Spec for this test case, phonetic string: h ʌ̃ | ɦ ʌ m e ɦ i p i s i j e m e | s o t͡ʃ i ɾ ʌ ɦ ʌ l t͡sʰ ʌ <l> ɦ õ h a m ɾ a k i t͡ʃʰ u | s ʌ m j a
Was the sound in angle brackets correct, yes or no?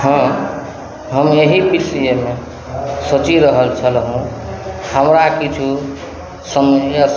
yes